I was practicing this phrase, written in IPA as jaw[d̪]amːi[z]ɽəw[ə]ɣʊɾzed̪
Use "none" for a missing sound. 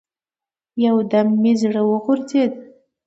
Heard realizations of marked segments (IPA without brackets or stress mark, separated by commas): d̪, z, ə